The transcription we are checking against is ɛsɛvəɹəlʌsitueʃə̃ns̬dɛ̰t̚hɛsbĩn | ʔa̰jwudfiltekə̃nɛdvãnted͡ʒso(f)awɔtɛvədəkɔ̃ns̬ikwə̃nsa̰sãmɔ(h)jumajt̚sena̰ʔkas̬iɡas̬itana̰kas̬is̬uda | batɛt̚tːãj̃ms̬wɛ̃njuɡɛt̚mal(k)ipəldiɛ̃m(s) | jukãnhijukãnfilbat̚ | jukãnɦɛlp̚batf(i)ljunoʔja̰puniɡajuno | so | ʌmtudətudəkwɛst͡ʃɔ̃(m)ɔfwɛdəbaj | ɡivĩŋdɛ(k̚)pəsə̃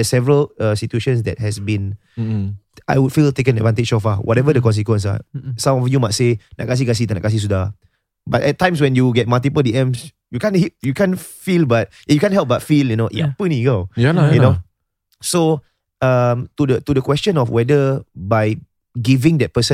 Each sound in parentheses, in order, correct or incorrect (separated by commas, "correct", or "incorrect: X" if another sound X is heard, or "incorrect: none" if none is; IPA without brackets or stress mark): correct, incorrect: f, incorrect: t, correct, correct, incorrect: n, incorrect: t̚